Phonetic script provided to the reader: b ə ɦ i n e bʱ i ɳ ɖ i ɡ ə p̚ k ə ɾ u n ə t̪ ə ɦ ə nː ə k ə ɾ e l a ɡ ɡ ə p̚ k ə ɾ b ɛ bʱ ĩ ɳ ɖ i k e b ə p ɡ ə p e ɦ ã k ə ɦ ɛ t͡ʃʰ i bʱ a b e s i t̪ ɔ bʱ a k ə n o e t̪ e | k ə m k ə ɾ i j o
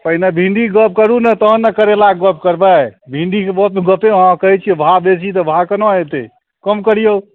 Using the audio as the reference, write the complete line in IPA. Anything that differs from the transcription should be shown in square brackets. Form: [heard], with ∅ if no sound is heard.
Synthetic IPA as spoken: [p] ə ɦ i n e bʱ i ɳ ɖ i ɡ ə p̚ k ə ɾ u n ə t̪ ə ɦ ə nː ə k ə ɾ e l a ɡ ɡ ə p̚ k ə ɾ b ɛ bʱ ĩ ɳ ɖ i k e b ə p ɡ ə p e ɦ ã k ə ɦ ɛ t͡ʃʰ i bʱ a b e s i t̪ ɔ bʱ a k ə n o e t̪ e | k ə m k ə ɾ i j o